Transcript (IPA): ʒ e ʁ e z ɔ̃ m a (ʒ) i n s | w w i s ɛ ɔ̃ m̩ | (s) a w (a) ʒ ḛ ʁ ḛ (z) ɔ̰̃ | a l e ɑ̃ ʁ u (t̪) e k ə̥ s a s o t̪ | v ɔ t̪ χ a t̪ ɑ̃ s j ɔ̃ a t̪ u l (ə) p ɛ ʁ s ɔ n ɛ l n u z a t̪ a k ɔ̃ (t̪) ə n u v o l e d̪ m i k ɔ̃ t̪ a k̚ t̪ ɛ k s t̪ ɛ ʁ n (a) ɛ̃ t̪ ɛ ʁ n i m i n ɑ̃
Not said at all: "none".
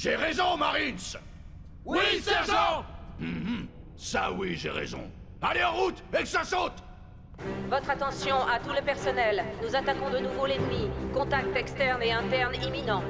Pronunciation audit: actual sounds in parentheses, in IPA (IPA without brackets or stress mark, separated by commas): ʁ, s, i, z, t̪, ə, d̪, e